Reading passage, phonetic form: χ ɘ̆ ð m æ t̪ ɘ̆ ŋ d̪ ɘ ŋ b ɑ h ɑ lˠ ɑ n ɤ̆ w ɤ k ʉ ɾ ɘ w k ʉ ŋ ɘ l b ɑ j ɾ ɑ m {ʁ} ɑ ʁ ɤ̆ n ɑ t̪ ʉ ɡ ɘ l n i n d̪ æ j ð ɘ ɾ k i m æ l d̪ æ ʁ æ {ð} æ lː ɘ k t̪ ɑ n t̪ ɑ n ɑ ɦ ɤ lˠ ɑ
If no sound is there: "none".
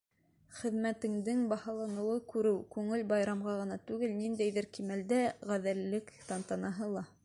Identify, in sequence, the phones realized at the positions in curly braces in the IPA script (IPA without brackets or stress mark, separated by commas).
ʁ, ð